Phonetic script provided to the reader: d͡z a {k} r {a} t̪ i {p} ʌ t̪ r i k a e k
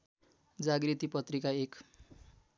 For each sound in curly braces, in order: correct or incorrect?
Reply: incorrect: ɡ, incorrect: i, correct

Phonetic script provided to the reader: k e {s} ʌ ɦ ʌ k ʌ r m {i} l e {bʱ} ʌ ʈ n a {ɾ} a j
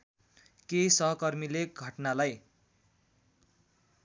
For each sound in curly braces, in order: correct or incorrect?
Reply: correct, correct, incorrect: ɡʱ, incorrect: l

